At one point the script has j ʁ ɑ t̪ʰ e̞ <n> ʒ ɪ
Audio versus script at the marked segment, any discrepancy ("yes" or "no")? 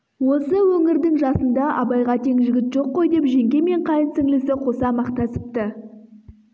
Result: yes